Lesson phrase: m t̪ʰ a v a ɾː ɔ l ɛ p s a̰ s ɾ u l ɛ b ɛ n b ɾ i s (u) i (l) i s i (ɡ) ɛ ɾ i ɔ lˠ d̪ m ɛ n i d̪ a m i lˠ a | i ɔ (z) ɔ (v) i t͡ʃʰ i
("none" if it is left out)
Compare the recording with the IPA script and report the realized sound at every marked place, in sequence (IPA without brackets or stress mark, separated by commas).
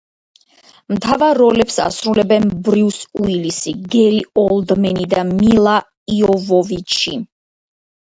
u, l, ɡ, v, v